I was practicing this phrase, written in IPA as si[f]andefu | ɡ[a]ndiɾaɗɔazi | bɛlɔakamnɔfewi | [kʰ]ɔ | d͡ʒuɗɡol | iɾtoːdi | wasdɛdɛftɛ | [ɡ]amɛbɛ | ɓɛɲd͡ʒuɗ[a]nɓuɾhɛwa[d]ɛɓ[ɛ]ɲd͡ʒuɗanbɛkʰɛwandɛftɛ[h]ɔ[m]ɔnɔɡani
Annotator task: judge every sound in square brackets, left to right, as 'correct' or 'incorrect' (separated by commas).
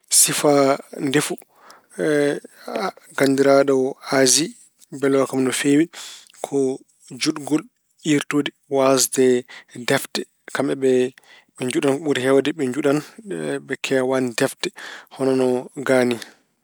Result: correct, correct, correct, incorrect, correct, correct, correct, correct, incorrect